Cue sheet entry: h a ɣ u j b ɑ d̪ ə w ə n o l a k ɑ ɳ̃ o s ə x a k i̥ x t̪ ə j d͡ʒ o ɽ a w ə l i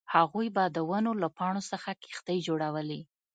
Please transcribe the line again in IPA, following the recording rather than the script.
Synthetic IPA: h a ɣ u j b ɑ d̪ ə w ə n o l a p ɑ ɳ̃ o s ə x a k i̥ x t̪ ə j d͡ʒ o ɽ a w ə l i